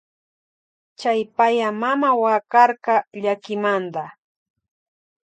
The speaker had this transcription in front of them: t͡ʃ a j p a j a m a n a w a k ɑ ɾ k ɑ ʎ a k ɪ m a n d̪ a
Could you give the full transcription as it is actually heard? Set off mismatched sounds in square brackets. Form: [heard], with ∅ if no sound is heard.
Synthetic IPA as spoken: t͡ʃ a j p a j a m a [m] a w a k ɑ ɾ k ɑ ʎ a k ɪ m a n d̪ a

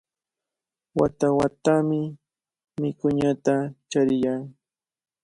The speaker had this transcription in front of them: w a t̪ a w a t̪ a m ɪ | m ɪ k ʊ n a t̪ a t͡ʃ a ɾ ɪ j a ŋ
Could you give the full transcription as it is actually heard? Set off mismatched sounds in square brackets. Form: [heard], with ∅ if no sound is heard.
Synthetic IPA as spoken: w a t̪ a w a t̪ a m ɪ | m ɪ k ʊ [ɲ] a t̪ a t͡ʃ a ɾ ɪ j a ŋ

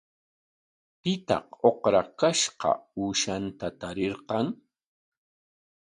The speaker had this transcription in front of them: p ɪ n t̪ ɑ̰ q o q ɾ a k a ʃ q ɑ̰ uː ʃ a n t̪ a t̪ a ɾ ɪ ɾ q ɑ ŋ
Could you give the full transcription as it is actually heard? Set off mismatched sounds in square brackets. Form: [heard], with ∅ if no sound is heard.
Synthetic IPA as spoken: p ɪ [∅] t̪ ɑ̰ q o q ɾ a k a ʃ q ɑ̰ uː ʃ a n t̪ a t̪ a ɾ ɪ ɾ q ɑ ŋ

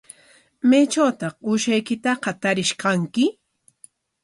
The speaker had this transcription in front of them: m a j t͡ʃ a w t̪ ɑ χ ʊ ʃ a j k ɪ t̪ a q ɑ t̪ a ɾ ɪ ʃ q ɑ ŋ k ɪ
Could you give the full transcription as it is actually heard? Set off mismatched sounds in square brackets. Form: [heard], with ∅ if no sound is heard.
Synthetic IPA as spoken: m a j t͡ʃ a w t̪ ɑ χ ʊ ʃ a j k ɪ t̪ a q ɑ t̪ a ɾ ɪ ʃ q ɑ ŋ k ɪ

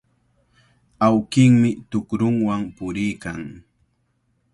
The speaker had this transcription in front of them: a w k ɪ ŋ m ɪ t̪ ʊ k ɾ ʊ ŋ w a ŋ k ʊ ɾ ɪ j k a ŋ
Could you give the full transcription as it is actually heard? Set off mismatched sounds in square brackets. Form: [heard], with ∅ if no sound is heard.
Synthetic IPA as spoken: a w k ɪ ŋ m ɪ t̪ ʊ k ɾ ʊ ŋ w a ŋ [p] ʊ ɾ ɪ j k a ŋ

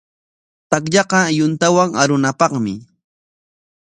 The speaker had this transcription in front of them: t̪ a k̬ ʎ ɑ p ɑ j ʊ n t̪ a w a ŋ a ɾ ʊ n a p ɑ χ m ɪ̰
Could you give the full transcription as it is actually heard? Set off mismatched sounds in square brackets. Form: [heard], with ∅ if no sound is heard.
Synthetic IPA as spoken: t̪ a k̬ ʎ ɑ [q] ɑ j ʊ n t̪ a w a ŋ a ɾ ʊ n a p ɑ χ m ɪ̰

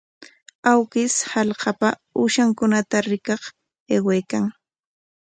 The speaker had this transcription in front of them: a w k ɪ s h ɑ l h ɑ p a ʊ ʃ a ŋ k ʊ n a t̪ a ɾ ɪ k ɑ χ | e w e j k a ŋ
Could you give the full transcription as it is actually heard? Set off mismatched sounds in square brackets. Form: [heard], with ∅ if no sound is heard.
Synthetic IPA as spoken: a w k ɪ s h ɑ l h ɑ p a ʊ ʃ a ŋ k ʊ n a t̪ a ɾ ɪ k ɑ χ | e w e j k a ŋ

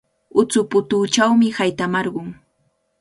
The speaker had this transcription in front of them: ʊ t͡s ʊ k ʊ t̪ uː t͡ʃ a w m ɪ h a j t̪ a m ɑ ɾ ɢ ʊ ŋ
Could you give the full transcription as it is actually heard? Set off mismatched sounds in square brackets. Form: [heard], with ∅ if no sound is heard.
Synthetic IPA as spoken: ʊ t͡s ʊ [p] ʊ t̪ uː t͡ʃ a w m ɪ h a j t̪ a m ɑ ɾ ɢ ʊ ŋ

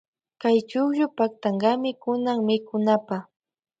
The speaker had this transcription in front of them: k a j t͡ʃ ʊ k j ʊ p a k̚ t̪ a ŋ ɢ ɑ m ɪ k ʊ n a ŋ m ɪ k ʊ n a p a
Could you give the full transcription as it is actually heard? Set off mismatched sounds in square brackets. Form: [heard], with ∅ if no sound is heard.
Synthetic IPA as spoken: k a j t͡ʃ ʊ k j ʊ p a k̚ t̪ a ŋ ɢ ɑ m ɪ k ʊ n a ŋ m ɪ k ʊ n a p a

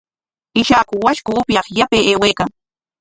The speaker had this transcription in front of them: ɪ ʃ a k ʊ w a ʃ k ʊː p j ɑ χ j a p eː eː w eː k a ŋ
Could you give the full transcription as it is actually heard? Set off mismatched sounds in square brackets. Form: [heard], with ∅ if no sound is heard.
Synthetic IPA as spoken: ɪ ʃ a k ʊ w a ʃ k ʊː p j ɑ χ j a p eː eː w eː k a ŋ

